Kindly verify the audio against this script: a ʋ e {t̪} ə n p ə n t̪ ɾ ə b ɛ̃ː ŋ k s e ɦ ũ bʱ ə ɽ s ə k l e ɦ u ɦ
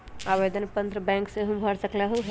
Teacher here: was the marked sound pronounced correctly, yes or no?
no